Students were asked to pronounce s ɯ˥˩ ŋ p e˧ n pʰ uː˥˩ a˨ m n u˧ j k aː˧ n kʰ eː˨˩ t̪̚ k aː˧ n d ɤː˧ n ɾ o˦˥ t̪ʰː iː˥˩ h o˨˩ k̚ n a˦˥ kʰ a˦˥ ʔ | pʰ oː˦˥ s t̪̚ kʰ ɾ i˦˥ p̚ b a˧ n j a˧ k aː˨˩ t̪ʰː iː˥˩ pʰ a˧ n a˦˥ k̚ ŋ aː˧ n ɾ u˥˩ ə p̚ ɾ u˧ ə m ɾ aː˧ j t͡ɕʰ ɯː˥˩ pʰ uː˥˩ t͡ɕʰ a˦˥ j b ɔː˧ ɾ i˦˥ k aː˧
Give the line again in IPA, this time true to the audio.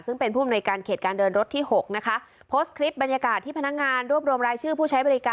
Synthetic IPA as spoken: s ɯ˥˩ ŋ p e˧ n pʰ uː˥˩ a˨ m n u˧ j k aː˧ n kʰ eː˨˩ t̪̚ k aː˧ n d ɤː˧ n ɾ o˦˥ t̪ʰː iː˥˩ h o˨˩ k̚ n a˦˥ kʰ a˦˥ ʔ | pʰ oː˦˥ s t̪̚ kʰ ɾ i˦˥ p̚ b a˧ n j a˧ k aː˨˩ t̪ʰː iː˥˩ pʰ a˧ n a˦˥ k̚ ŋ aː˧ n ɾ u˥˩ ə p̚ ɾ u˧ ə m ɾ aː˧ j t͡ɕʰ ɯː˥˩ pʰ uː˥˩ t͡ɕʰ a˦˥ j b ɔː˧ ɾ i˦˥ k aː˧